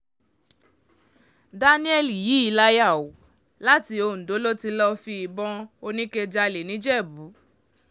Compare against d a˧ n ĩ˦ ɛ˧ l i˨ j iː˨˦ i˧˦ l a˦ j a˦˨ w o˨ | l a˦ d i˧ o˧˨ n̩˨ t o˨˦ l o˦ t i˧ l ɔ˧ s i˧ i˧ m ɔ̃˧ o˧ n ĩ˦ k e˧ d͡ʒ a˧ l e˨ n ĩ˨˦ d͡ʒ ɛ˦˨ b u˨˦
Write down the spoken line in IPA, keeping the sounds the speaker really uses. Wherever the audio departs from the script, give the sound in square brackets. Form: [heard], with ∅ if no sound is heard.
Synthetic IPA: d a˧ n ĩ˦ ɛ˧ l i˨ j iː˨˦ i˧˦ l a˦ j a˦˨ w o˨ | l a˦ [t] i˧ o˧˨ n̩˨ [d] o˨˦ l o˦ t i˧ l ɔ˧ [f] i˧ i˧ [b] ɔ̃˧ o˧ n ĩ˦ k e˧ d͡ʒ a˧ l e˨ n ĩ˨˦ d͡ʒ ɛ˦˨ b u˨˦